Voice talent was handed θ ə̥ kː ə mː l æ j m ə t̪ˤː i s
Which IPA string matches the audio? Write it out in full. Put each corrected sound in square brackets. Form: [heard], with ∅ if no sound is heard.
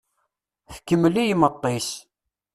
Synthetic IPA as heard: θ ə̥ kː ə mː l [i] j m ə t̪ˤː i s